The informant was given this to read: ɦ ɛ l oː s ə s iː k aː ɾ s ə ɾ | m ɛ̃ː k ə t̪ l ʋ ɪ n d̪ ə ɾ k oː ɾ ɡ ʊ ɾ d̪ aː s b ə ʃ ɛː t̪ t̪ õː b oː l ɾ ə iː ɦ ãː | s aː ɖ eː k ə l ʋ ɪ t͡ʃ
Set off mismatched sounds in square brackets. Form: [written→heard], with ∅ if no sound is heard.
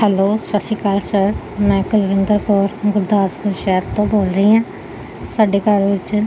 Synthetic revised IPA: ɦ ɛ l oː s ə s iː k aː [ɾ→l] s ə ɾ | m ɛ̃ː k ə [t̪→∅] l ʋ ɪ n d̪ ə ɾ k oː ɾ ɡ ʊ ɾ d̪ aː s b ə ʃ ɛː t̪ t̪ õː b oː l ɾ ə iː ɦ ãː | s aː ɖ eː k ə [l→ɾ] ʋ ɪ t͡ʃ

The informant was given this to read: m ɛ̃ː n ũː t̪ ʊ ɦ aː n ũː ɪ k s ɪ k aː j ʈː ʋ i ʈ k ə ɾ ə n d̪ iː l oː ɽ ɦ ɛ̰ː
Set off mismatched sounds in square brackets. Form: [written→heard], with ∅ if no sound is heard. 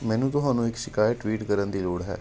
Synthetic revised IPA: m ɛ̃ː n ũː t̪ ʊ ɦ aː n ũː ɪ k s ɪ k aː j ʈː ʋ [i→iː] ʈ k ə ɾ ə n d̪ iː l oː ɽ ɦ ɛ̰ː

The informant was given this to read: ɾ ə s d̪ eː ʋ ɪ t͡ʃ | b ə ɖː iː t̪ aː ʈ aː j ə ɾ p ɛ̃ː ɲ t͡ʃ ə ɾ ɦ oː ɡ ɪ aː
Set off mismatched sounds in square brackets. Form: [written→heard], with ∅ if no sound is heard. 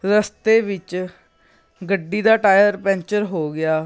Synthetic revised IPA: ɾ ə s [d̪→t̪] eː ʋ ɪ t͡ʃ | [b→ɡ] ə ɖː iː [t̪→d̪] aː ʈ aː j ə ɾ p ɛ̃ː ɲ t͡ʃ ə ɾ ɦ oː ɡ ɪ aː

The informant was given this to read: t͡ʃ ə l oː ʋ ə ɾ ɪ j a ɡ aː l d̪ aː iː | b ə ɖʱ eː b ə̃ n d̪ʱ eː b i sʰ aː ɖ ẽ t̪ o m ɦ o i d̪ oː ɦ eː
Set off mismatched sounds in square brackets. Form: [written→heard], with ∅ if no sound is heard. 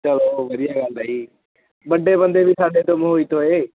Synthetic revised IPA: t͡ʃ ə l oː ʋ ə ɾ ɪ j a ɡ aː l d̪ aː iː | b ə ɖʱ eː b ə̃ n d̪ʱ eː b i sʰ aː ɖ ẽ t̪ o m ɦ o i [d̪→t̪] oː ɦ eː

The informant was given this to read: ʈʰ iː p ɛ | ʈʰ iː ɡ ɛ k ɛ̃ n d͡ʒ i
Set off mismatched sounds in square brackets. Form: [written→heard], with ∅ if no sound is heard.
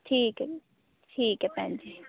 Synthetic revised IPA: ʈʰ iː [p→k] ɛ | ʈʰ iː [ɡ→k] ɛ [k→p] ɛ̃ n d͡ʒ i

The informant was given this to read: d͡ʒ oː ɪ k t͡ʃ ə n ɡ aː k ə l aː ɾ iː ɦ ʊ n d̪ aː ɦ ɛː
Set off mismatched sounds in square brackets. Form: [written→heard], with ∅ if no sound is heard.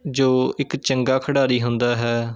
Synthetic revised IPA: d͡ʒ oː ɪ k t͡ʃ ə [n→ŋ] ɡ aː [k→kʰ] ə [l→ɽ] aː ɾ iː ɦ ʊ n d̪ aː ɦ ɛː

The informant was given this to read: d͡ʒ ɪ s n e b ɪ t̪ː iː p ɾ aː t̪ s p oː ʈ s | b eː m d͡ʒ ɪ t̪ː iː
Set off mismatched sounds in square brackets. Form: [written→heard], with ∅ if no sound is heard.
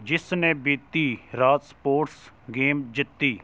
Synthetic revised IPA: d͡ʒ ɪ s n e b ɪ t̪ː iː [p→∅] ɾ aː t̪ s p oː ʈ s | [b→ɡ] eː m d͡ʒ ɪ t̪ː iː

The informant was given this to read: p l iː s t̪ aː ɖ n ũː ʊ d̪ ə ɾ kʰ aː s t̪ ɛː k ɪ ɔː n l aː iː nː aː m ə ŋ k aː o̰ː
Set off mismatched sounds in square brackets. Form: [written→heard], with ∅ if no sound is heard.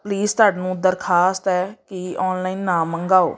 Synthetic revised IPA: p l iː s t̪ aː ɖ n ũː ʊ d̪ ə ɾ kʰ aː s t̪ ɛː k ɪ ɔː n l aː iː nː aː m ə ŋ [k→ɡ] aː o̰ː

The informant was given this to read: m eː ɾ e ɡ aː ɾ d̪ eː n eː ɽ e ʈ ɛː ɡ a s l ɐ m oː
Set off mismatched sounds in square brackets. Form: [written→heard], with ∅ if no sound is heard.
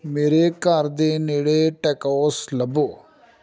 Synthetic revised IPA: m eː ɾ e [ɡ→k] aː ɾ d̪ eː n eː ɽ e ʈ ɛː [ɡ→k] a s l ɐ [m→b] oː

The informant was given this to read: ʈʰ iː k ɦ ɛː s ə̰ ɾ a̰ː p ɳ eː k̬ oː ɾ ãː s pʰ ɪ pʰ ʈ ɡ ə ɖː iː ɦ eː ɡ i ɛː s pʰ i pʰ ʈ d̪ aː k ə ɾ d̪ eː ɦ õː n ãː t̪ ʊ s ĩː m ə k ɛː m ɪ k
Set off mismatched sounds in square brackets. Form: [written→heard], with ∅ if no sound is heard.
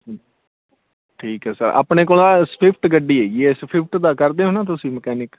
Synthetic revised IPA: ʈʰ iː k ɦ ɛː s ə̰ ɾ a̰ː p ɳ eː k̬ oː [ɾ→l] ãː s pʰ ɪ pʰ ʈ ɡ ə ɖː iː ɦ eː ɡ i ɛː s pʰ [i→ɪ] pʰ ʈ d̪ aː k ə ɾ d̪ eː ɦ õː n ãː t̪ ʊ s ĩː m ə k ɛː [m→n] ɪ k

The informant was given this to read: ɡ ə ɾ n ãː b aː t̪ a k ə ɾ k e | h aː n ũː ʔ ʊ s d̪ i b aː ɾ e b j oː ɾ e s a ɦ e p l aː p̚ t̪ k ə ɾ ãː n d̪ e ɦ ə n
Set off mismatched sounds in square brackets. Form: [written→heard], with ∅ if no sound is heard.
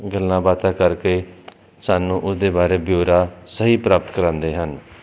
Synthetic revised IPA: ɡ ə [ɾ→l] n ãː b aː t̪ a k ə ɾ k e | [h→s] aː n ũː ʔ ʊ s d̪ [i→e] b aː ɾ e b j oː ɾ [e→a] s [a→ə] ɦ [e→i] p [l→ɾ] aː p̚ t̪ k ə ɾ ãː n d̪ e ɦ ə n

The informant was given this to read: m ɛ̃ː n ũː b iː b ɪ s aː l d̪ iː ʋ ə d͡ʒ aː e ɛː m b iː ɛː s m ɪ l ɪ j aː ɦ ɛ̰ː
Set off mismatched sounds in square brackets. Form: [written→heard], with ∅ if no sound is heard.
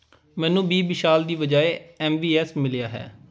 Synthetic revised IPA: m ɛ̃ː n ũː b iː b ɪ [s→ʃ] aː l d̪ iː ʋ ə d͡ʒ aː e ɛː m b iː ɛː s m ɪ l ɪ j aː ɦ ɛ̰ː

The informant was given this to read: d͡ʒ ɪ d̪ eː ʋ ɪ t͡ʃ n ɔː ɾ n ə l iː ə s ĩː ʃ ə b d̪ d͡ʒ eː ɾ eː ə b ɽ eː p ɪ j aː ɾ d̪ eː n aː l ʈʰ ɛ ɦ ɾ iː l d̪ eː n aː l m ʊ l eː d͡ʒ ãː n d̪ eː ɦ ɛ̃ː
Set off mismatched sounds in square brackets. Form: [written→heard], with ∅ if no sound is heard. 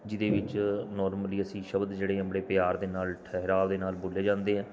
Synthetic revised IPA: d͡ʒ ɪ d̪ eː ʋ ɪ t͡ʃ n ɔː ɾ [n→m] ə l iː ə s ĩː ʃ ə b d̪ d͡ʒ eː [ɾ→ɽ] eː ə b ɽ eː p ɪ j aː ɾ d̪ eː n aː l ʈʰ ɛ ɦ ɾ [iː→aː] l d̪ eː n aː l [m→b] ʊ l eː d͡ʒ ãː n d̪ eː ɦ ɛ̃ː

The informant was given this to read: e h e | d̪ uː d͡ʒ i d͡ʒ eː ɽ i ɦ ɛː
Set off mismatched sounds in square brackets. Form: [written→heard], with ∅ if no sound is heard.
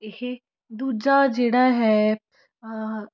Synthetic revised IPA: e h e | d̪ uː d͡ʒ [i→a] d͡ʒ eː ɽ [i→a] ɦ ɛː

